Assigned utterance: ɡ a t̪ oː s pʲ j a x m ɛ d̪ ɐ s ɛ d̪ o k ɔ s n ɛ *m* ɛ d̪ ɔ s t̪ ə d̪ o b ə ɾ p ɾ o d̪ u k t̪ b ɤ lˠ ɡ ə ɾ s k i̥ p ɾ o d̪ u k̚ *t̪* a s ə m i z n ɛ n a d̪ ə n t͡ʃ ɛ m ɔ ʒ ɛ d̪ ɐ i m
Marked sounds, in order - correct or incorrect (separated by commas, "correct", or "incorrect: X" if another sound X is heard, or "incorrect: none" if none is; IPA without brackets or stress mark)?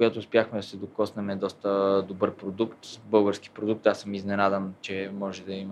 correct, correct